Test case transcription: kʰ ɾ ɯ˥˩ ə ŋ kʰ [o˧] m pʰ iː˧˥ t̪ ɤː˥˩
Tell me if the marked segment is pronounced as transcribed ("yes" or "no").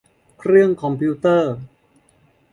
no